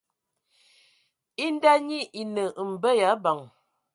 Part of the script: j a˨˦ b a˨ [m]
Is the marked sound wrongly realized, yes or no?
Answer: yes